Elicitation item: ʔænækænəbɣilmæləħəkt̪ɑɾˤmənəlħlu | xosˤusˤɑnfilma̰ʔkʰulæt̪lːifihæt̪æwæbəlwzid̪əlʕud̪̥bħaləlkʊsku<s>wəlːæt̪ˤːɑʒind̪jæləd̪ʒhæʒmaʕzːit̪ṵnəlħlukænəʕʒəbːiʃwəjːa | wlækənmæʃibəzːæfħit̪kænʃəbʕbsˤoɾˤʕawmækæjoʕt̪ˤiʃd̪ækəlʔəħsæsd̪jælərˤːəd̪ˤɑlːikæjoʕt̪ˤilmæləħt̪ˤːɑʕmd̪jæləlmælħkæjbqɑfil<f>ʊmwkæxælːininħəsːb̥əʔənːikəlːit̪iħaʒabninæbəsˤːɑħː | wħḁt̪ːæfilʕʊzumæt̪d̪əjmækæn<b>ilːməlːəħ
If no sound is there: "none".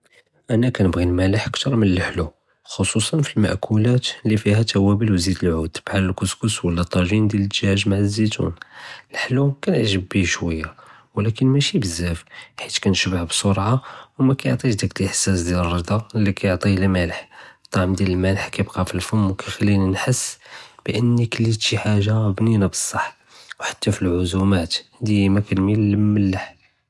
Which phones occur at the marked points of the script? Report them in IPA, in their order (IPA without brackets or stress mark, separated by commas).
s, f, m